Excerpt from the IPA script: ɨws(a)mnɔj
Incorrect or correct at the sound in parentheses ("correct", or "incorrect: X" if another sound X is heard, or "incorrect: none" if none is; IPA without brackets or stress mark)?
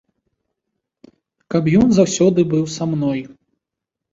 correct